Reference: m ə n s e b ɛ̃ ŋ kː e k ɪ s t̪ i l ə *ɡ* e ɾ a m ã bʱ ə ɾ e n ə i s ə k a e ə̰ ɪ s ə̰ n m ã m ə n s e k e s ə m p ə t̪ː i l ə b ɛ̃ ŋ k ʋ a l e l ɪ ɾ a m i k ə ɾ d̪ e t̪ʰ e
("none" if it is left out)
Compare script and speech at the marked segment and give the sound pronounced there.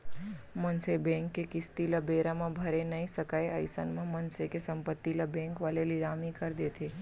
b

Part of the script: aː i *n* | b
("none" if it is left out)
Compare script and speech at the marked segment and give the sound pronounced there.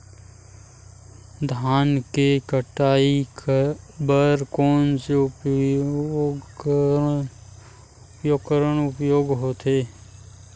none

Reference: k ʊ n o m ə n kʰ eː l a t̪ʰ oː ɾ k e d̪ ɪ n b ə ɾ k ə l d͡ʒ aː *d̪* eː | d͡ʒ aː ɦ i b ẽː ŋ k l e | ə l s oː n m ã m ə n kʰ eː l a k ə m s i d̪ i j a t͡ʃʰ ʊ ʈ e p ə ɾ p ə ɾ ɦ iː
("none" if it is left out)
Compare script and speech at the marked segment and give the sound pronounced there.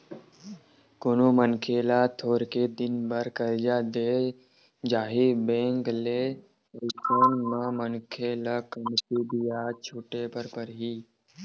d̪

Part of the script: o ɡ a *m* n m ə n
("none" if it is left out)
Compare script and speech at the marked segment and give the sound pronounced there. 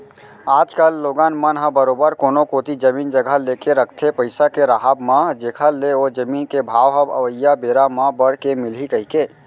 none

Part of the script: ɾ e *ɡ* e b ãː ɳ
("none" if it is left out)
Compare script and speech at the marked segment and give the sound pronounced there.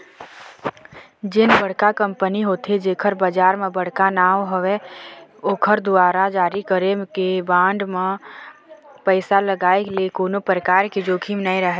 k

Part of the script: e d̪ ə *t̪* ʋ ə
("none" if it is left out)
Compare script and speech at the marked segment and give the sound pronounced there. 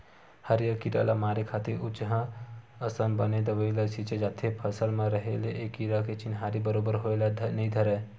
none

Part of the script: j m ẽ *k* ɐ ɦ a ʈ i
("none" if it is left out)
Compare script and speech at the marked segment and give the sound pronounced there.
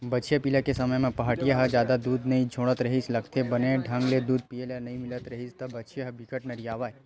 p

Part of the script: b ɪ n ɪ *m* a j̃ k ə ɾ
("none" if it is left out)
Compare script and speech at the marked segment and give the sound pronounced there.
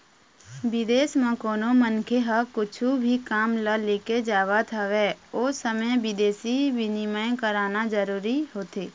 m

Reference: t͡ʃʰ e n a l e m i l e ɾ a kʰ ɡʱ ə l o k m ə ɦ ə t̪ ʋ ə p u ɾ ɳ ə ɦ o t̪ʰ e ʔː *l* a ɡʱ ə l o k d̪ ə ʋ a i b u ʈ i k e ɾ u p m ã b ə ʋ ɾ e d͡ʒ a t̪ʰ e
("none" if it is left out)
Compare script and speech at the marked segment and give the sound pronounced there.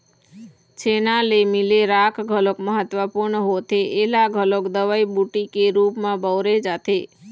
l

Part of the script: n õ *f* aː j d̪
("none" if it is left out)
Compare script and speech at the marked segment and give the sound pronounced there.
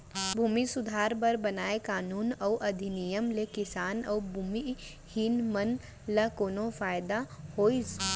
f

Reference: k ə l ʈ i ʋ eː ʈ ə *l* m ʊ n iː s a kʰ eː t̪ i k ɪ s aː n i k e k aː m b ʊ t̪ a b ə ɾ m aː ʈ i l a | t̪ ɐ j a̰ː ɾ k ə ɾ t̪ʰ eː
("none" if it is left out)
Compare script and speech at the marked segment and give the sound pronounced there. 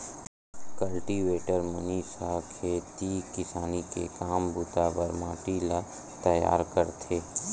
ɾ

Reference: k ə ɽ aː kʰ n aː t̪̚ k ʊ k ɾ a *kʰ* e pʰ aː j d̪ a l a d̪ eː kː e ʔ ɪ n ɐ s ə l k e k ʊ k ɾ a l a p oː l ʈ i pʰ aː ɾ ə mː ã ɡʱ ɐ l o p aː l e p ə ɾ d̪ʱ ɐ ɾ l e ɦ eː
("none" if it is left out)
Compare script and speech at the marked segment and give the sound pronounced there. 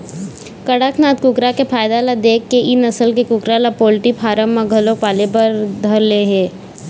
k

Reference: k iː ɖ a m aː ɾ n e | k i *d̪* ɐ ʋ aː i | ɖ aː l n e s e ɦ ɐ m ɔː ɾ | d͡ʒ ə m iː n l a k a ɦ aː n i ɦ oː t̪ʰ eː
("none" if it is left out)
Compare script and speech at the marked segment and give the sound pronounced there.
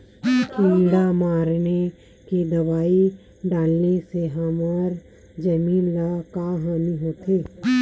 d̪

